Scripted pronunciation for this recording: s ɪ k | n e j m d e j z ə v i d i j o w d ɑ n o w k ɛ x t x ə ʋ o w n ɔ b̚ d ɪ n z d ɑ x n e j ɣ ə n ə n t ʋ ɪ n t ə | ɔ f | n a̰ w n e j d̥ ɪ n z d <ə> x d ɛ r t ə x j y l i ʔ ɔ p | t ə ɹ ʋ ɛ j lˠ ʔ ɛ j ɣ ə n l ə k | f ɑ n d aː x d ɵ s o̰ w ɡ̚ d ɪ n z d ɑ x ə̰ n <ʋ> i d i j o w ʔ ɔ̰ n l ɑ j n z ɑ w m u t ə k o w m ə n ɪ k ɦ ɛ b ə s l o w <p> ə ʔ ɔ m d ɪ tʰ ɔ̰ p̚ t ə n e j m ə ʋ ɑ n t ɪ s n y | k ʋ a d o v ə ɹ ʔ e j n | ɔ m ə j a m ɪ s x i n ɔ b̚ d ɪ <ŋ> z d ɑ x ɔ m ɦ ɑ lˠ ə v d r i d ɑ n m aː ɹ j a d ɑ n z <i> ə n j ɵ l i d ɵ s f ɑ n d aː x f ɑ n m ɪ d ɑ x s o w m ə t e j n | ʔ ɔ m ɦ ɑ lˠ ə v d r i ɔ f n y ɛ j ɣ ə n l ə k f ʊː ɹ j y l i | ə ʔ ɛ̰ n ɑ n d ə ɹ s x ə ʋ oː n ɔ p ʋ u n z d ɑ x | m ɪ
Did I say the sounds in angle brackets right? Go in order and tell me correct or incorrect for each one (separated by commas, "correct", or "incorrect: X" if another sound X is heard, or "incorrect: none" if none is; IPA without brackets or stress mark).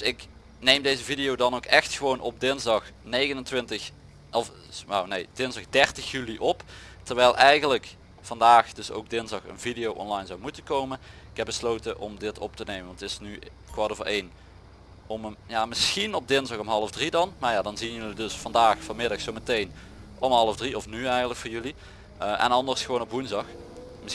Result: incorrect: ɑ, incorrect: v, incorrect: t, incorrect: n, correct